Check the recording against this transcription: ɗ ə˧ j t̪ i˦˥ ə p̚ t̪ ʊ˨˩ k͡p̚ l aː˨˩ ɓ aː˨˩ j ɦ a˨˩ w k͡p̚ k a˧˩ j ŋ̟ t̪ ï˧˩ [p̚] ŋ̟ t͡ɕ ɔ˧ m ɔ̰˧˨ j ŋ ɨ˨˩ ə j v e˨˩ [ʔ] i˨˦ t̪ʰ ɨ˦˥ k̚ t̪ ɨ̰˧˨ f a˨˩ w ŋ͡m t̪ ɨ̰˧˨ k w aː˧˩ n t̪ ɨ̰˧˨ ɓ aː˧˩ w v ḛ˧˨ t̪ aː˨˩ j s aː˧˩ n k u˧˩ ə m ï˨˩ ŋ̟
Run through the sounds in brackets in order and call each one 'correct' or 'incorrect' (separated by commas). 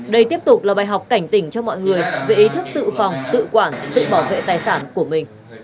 incorrect, correct